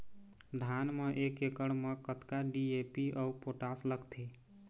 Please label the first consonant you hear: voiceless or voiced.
voiced